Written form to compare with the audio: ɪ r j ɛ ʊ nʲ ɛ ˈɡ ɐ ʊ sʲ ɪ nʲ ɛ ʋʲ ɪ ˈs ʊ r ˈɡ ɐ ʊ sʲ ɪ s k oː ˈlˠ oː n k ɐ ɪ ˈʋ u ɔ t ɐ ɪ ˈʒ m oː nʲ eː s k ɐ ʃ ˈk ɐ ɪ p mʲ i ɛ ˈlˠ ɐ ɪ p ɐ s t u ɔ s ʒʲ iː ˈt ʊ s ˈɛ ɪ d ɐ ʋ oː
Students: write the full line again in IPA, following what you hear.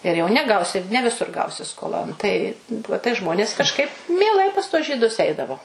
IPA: ɪ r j ɛ ʊ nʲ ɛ ˈɡ ɐ ʊ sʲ ɪ nʲ ɛ ʋʲ ɪ ˈs ʊ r ˈɡ ɐ ʊ sʲ ɪ s k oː ˈlˠ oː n t ɐ ɪ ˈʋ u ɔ t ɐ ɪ ˈʒ m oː nʲ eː s k ɐ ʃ ˈk ɐ ɪ p mʲ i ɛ ˈlˠ ɐ ɪ p ɐ s t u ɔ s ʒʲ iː ˈd ʊ s ˈɛ ɪ d ɐ ʋ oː